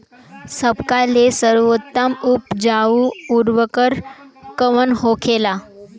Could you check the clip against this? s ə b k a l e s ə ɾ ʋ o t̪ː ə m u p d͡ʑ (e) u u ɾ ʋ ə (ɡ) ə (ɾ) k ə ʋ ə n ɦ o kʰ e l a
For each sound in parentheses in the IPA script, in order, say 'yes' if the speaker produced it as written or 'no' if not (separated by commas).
no, no, yes